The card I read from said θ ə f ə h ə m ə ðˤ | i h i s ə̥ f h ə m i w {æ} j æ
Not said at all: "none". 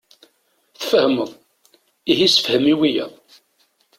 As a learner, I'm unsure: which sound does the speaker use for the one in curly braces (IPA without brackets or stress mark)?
i